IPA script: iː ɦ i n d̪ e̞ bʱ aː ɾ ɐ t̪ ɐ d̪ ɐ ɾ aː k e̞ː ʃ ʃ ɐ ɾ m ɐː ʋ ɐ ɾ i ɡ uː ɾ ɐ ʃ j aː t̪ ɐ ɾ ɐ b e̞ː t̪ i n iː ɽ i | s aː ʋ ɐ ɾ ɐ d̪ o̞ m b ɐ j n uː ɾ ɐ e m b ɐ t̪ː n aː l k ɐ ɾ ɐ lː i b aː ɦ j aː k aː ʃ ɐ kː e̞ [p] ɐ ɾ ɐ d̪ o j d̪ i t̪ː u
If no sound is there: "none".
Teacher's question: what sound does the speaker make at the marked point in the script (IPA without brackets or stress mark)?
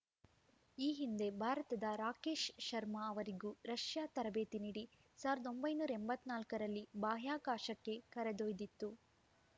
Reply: k